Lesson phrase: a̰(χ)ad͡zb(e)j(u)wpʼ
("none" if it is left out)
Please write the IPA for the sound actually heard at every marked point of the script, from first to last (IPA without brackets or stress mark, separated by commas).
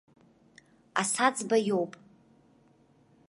s, a, o